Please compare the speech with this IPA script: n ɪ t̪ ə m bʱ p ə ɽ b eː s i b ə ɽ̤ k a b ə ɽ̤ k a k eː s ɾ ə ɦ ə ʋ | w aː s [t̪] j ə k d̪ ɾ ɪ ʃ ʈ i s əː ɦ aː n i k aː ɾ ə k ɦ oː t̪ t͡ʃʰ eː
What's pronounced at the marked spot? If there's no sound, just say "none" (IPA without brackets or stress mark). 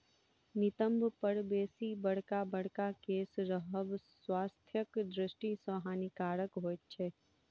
t̪ʰ